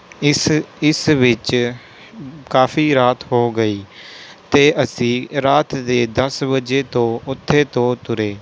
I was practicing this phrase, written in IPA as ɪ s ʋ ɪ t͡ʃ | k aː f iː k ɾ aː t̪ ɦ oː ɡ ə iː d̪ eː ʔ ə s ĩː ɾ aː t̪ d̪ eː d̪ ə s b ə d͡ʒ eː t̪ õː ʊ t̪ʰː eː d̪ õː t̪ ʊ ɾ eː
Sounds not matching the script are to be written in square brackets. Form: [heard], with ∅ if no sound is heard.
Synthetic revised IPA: ɪ s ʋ ɪ t͡ʃ | k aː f iː [∅] ɾ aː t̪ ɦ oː ɡ ə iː [t̪] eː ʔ ə s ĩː ɾ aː t̪ d̪ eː d̪ ə s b ə d͡ʒ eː t̪ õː ʊ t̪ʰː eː [t̪] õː t̪ ʊ ɾ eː